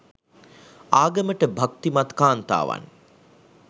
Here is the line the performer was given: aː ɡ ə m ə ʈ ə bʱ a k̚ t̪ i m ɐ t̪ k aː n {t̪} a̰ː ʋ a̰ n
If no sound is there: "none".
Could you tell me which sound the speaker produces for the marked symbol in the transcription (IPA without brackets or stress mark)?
t̪